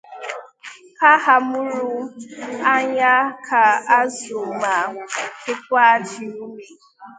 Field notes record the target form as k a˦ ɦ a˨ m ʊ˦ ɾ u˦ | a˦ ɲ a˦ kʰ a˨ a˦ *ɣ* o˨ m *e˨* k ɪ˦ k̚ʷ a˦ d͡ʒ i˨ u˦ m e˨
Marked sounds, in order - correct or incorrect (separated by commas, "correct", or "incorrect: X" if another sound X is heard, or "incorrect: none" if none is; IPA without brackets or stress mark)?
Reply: incorrect: z, incorrect: a˨